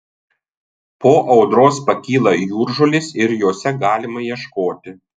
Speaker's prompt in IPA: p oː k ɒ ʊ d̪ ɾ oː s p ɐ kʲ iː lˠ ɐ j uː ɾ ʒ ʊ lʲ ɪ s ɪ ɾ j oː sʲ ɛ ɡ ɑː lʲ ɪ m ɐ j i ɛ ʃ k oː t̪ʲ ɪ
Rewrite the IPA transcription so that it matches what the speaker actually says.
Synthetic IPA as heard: p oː ʔ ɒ ʊ d̪ ɾ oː s p ɐ kʲ iː lˠ ɐ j uː ɾ ʒ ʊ lʲ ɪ s ɪ ɾ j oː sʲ ɛ ɡ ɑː lʲ ɪ m ɐ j i ɛ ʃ k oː t̪ʲ ɪ

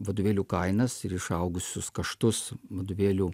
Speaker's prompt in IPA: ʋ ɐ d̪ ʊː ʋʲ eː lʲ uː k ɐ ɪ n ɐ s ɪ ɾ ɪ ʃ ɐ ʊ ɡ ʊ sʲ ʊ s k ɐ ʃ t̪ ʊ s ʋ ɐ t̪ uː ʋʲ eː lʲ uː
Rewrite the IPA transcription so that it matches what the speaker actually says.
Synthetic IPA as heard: ʋ ɐ d̪ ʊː ʋʲ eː lʲ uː k ɐ ɪ n ɐ s ɪ ɾ ɪ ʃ ɐ ʊ ɡ ʊ sʲ ʊ s k ɐ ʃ t̪ ʊ s ʋ ɐ d̪ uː ʋʲ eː lʲ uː

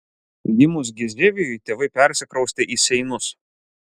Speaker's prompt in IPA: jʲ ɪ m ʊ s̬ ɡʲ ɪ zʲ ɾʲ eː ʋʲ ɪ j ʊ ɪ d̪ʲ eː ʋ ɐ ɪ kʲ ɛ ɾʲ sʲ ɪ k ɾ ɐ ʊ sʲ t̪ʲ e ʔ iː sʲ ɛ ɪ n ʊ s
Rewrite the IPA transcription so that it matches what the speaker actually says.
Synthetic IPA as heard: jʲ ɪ m ʊ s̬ ɡʲ ɪ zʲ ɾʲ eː ʋʲ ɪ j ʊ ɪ t̪ʲ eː ʋ ɐ ɪ pʲ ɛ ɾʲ sʲ ɪ k ɾ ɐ ʊ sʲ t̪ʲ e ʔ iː sʲ ɛ ɪ n ʊ s

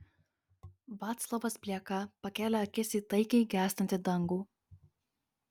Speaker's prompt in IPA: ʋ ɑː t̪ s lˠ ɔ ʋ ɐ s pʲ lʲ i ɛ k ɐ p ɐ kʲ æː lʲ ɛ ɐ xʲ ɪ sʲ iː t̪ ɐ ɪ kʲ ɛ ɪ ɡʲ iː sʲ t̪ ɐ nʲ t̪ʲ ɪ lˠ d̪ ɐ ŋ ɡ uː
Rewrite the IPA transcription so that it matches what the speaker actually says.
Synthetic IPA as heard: ʋ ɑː t̪ s lˠ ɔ ʋ ɐ s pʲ lʲ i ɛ k ɐ p ɐ kʲ æː lʲ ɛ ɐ kʲ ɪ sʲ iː t̪ ɐ ɪ kʲ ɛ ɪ ɡʲ æː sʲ t̪ ɐ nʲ t̪ʲ ɪ d̪ ɐ ŋ ɡ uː

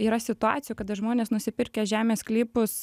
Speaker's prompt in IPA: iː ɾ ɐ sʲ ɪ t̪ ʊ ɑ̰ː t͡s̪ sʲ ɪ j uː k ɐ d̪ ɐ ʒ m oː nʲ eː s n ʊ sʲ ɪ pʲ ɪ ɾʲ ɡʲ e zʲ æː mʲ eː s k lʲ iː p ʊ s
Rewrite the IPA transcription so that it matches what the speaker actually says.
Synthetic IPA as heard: iː ɾ ɐ sʲ ɪ t̪ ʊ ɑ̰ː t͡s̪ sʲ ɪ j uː k ɐ d̪ ɐ ʒ m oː nʲ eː s n ʊ sʲ ɪ pʲ ɪ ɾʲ kʲ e ʒʲ æː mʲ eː s k lʲ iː p ʊ s

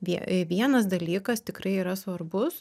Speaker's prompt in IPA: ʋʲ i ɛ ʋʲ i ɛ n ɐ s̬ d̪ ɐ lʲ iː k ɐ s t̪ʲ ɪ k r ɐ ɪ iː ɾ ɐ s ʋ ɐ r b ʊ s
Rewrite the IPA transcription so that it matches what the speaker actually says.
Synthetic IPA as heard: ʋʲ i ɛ ʋʲ i ɛ n ɐ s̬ d̪ ɐ lʲ iː k ɐ s t̪ʲ ɪ k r ɐ ɪ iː ɾ ɐ s ʋ ɐ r b ʊ s

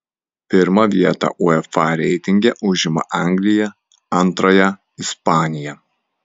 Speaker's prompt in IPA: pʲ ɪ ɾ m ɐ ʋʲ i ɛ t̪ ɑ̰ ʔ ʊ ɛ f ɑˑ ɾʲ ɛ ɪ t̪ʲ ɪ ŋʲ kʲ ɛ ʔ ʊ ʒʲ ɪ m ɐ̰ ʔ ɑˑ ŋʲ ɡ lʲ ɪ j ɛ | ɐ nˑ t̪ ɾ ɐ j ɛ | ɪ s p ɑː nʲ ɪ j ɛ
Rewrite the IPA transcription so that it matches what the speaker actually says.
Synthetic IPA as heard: pʲ ɪ ɾ m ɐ ʋʲ i ɛ t̪ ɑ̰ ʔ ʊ ɛ f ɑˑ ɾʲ ɛ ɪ t̪ʲ ɪ ŋʲ ɡʲ ɛ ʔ ʊ ʒʲ ɪ m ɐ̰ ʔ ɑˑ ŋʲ ɡ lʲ ɪ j ɛ | ɐ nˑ t̪ ɾ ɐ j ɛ | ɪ s p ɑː nʲ ɪ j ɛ

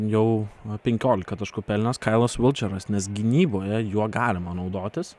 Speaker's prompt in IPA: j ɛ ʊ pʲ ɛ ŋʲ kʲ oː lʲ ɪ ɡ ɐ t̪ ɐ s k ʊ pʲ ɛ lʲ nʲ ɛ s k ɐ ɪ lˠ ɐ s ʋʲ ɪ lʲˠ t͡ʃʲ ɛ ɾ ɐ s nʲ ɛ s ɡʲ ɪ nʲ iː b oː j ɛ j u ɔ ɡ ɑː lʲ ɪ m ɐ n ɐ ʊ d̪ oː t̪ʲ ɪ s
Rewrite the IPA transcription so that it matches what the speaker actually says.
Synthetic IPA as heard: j ɛ ʊ pʲ ɛ ŋʲ kʲ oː lʲ ɪ k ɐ t̪ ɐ ʃ k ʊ pʲ ɛ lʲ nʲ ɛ s k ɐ ɪ lˠ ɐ s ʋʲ ɪ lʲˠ t͡ʃʲ ɛ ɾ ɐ s nʲ ɛ s ɡʲ ɪ nʲ iː b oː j ɛ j u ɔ ɡ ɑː lʲ ɪ m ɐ n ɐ ʊ d̪ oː t̪ʲ ɪ s

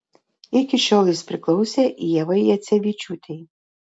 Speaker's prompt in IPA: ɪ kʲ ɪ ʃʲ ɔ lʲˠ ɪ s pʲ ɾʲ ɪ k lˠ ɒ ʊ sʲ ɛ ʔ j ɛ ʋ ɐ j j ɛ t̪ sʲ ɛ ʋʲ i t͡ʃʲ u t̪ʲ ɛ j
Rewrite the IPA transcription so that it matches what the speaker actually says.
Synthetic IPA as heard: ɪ kʲ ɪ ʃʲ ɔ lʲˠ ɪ s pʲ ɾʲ ɪ k lˠ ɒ ʊ sʲ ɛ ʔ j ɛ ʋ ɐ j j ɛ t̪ sʲ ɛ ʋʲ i t͡ʃʲ u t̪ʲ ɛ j

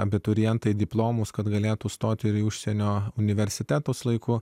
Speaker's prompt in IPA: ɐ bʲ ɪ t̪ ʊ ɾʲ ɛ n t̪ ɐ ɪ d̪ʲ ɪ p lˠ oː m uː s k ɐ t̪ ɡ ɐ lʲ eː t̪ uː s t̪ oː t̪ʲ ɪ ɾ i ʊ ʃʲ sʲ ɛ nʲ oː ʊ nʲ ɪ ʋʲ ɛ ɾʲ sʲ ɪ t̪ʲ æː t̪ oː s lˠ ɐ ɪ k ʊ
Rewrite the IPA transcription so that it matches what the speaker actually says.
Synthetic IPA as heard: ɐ bʲ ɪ t̪ ʊ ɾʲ ɛ n t̪ ɐ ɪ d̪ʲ ɪ p lˠ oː m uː s k ɐ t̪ ɡ ɐ lʲ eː t̪ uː s t̪ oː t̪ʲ ɪ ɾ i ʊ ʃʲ sʲ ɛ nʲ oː ʊ nʲ ɪ ʋʲ ɛ ɾʲ sʲ ɪ t̪ʲ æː t̪ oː s lˠ ɐ ɪ k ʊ

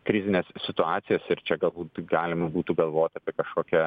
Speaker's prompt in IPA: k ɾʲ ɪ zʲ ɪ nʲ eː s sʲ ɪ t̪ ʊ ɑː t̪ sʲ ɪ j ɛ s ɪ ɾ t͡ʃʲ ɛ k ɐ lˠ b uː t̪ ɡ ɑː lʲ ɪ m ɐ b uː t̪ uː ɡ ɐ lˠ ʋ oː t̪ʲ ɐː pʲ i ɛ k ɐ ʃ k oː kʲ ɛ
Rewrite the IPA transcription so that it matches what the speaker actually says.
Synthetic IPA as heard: k ɾʲ ɪ zʲ ɪ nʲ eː s sʲ ɪ t̪ ʊ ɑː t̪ sʲ ɪ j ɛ s ɪ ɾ t͡ʃʲ ɛ ɡ ɐ lˠ b uː t̪ ɡ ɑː lʲ ɪ m ɐ b uː t̪ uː ɡ ɐ lˠ ʋ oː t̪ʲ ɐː pʲ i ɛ k ɐ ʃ k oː kʲ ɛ

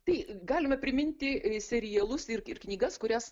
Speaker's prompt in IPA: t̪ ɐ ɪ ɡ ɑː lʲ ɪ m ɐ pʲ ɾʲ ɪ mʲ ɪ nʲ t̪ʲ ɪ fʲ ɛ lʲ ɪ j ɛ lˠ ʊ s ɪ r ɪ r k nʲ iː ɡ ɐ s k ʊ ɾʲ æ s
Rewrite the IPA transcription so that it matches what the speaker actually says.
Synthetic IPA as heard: t̪ ɐ ɪ ɡ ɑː lʲ ɪ m ɐ pʲ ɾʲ ɪ mʲ ɪ nʲ t̪ʲ ɪ sʲ ɛ ɾʲ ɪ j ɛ lˠ ʊ s ɪ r ɪ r k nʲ iː ɡ ɐ s k ʊ ɾʲ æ s

